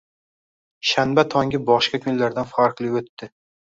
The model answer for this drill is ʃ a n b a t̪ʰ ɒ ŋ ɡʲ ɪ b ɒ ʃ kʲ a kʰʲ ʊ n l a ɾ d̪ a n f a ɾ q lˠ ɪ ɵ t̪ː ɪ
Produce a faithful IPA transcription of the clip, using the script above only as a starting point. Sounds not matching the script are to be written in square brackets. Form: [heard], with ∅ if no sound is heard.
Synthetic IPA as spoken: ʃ a n b a t̪ʰ ɒ ŋ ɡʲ ɪ b ɒ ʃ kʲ a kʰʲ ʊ n l a ɾ d̪ a n f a ɾ q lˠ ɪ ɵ t̪ː ɪ